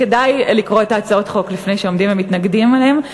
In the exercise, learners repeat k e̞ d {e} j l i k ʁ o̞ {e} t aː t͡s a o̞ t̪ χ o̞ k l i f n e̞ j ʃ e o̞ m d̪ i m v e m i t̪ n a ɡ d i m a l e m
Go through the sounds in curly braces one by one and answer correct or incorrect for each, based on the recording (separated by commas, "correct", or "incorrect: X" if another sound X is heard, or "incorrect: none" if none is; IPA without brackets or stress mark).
incorrect: a, correct